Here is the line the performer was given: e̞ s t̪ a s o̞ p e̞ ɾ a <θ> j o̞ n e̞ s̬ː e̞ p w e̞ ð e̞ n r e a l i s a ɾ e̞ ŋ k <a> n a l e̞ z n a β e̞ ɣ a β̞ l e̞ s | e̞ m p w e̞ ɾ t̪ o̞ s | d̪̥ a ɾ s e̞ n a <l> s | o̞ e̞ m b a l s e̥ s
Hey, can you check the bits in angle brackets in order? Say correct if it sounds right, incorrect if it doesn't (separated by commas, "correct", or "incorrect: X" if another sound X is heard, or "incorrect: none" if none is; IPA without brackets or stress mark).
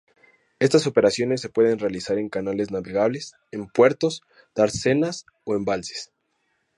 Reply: incorrect: s, correct, incorrect: none